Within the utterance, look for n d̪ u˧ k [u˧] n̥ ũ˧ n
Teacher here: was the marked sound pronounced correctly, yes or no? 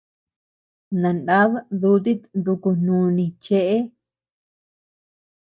yes